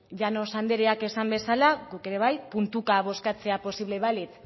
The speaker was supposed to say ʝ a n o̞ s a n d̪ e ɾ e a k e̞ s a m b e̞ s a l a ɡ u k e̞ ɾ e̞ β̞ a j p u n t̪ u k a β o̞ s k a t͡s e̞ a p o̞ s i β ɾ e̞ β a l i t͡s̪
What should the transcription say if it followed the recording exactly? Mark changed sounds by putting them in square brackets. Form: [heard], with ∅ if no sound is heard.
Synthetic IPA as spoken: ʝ a n o̞ s a n d̪ e ɾ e a k e̞ s a m b e̞ s a l a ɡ u k e̞ ɾ e̞ β̞ a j p u n t̪ u k a β o̞ s k a t͡s e̞ a p o̞ s i β [l] e̞ β a l i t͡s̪